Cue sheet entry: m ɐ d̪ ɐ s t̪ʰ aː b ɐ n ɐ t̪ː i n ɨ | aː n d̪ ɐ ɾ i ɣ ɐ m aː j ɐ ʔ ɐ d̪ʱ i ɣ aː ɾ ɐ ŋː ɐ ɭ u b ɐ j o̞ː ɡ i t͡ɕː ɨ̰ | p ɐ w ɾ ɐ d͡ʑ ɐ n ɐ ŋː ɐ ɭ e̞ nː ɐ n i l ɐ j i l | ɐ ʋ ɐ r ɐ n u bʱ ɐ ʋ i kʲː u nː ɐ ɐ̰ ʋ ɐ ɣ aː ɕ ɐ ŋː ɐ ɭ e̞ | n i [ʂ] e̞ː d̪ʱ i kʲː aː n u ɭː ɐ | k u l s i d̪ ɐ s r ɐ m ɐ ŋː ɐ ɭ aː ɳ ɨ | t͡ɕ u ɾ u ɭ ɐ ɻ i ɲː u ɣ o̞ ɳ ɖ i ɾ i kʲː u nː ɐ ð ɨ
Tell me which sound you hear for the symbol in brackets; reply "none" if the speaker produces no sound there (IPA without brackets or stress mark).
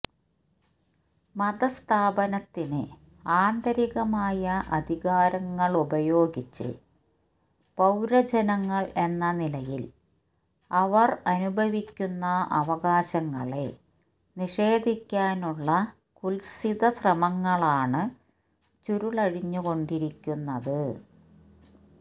ʂ